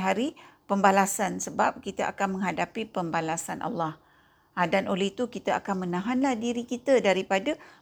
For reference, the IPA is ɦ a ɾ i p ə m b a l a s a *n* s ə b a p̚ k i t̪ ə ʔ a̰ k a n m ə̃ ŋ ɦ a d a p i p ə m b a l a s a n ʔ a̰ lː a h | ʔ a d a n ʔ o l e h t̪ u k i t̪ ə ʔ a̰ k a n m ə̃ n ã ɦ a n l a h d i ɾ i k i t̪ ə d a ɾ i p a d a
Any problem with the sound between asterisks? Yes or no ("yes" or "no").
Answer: no